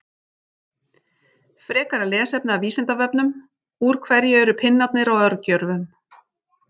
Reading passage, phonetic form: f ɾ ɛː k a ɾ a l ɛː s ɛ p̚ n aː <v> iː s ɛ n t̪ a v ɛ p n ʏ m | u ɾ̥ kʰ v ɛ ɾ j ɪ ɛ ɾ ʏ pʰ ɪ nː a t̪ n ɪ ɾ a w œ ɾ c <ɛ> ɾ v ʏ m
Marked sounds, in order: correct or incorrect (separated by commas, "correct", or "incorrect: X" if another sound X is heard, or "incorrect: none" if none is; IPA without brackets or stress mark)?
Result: correct, incorrect: œ